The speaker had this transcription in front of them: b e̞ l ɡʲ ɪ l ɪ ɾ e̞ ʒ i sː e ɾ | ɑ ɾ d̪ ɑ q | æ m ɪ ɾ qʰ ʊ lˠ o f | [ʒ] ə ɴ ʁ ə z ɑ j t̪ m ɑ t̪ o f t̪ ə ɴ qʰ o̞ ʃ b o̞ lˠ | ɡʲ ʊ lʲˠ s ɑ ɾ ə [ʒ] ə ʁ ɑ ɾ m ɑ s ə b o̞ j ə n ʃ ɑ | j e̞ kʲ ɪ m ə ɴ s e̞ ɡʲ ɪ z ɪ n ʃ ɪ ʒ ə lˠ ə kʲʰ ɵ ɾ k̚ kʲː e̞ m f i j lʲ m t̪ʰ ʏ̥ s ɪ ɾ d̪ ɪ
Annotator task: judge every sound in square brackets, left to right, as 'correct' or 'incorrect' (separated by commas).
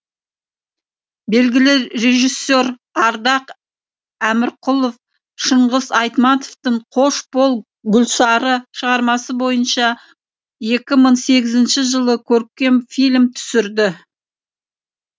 incorrect, incorrect